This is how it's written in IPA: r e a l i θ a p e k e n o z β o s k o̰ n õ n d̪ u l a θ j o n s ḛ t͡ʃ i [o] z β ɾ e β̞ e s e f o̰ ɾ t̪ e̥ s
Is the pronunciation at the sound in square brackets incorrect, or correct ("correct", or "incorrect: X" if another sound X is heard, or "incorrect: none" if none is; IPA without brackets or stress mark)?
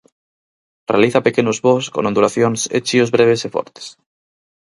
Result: correct